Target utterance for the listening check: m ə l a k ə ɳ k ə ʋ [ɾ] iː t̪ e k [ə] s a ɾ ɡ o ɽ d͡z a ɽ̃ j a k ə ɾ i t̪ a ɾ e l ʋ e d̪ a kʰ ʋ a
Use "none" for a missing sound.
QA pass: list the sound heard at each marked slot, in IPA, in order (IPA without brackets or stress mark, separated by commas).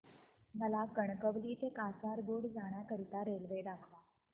l, a